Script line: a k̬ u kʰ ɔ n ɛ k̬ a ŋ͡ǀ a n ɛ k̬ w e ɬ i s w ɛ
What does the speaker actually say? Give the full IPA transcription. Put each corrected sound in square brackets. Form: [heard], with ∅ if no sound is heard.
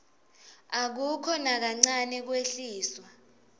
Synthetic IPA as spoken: a k̬ u kʰ ɔ n [a] k̬ a ŋ͡ǀ a n ɛ k̬ w e ɬ [iː] s w [a]